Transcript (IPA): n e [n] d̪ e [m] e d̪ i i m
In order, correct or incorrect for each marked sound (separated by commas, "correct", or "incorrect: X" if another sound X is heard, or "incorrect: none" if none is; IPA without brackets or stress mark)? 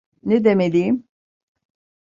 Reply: incorrect: none, correct